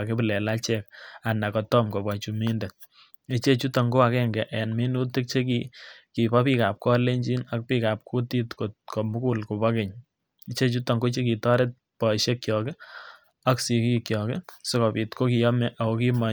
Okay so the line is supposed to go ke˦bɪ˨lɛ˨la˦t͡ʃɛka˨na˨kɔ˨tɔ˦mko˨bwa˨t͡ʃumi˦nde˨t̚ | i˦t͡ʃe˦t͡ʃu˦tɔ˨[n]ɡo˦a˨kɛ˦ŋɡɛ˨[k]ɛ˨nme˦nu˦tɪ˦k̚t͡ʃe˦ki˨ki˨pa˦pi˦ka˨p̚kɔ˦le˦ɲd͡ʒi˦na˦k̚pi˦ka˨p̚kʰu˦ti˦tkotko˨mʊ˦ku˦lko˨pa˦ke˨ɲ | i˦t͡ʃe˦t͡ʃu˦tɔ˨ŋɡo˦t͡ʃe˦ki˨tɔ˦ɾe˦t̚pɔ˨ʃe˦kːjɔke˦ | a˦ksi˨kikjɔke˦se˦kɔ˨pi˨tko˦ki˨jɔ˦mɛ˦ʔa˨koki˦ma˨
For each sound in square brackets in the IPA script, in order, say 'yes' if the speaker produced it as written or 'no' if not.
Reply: no, no

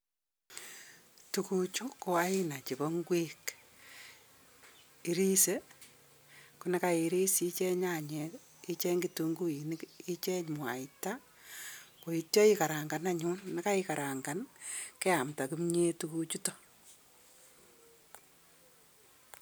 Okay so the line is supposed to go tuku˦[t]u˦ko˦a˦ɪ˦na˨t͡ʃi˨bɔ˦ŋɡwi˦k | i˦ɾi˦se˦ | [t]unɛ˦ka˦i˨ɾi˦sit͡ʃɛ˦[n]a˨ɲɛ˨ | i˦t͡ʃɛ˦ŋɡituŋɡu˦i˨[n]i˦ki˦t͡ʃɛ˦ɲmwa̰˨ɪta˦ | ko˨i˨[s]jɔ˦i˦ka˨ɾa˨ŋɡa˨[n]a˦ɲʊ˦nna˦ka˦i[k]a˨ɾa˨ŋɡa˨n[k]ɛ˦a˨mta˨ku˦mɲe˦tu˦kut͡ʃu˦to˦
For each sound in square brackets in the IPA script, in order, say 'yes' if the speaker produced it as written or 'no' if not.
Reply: no, no, no, yes, no, yes, yes, yes

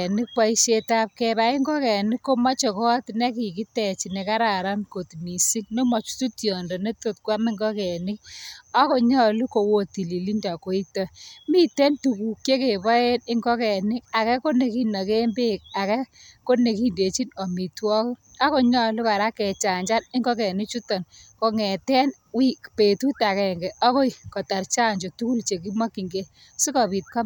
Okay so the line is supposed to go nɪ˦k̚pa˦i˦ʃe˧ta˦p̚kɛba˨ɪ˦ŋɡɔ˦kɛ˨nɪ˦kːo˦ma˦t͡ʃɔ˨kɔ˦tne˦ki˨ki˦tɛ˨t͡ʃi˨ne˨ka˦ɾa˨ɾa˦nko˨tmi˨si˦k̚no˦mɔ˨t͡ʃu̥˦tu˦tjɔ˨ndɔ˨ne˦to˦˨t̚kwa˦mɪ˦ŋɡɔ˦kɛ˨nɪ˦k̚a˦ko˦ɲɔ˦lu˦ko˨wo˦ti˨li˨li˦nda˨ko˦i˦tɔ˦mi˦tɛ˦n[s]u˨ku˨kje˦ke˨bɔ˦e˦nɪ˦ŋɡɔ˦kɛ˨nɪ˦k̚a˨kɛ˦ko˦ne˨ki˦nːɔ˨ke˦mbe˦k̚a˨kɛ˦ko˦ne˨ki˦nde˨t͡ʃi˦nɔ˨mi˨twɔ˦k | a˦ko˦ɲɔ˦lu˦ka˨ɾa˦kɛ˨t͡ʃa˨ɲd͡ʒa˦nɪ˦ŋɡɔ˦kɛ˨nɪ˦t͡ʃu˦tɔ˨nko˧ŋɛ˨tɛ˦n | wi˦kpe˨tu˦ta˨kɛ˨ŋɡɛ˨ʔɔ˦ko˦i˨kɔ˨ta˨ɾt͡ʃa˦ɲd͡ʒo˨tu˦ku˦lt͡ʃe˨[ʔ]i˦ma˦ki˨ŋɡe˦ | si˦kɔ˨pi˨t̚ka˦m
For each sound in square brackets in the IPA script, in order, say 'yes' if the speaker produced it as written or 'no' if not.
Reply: no, no

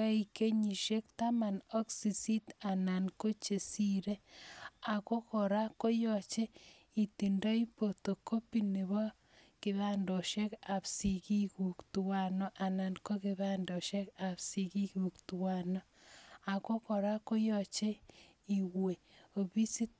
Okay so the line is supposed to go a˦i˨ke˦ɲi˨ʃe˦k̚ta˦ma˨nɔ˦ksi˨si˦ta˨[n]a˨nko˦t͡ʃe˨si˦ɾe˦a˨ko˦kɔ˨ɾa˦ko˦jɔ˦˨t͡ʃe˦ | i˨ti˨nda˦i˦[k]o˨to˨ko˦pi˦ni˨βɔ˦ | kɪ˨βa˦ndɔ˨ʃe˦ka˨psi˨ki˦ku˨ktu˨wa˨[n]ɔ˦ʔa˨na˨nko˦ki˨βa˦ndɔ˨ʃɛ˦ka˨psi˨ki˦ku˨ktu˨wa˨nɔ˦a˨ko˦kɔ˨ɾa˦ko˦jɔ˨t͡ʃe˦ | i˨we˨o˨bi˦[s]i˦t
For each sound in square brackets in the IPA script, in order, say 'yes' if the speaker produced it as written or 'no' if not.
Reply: yes, no, yes, yes

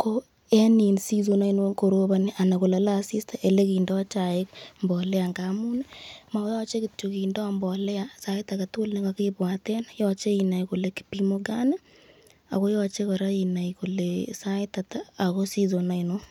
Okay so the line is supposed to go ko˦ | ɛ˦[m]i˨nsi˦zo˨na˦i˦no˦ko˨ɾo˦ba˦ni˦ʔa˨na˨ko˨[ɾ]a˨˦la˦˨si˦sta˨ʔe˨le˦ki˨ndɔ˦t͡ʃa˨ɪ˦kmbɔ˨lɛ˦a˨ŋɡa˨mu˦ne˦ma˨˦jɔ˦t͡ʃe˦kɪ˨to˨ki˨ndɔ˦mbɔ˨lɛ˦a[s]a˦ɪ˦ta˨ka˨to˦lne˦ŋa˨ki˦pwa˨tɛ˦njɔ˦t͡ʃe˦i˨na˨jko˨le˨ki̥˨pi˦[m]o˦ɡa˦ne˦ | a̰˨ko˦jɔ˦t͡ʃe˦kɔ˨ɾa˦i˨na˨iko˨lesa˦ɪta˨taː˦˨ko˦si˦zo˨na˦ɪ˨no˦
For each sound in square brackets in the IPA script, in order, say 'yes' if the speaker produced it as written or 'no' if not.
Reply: no, no, yes, yes

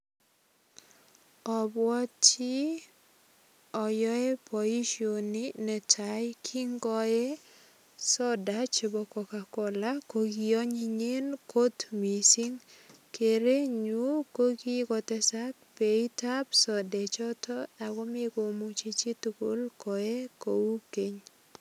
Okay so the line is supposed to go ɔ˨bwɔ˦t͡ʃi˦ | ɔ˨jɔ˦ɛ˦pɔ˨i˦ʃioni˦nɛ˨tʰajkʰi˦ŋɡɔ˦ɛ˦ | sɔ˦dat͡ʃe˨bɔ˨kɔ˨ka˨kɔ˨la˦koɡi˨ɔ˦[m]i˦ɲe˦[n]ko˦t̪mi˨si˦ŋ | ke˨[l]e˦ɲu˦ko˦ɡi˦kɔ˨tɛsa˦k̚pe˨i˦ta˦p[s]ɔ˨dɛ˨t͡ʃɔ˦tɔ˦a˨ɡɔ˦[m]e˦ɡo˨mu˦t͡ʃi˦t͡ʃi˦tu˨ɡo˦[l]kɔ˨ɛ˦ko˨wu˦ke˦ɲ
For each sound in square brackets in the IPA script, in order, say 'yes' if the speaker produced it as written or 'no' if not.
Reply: no, yes, no, yes, yes, yes

